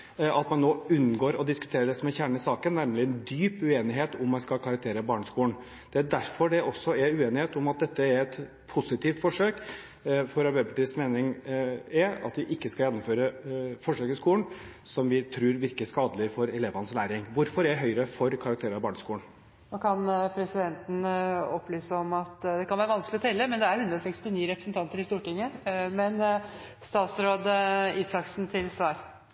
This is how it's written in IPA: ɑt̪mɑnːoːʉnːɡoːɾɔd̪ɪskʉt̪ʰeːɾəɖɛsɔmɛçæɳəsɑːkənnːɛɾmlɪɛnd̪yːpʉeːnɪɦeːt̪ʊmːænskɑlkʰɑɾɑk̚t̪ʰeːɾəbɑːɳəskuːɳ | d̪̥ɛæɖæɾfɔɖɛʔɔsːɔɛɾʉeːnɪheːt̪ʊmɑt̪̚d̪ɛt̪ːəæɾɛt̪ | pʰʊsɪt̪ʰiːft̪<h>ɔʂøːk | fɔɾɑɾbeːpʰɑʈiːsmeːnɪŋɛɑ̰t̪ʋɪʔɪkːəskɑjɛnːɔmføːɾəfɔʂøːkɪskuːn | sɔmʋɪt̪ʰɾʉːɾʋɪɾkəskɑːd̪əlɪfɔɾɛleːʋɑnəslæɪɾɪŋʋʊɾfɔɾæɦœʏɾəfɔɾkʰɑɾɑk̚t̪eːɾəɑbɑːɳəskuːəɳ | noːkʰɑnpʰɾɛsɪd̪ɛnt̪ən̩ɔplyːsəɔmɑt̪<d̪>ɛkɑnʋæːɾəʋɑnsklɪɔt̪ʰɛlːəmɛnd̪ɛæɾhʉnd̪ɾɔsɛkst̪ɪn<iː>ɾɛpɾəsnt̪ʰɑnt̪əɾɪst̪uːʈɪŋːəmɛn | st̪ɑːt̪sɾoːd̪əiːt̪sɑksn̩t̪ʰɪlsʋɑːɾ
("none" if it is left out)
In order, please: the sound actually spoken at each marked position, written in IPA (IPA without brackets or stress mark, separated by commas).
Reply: f, d̪, iː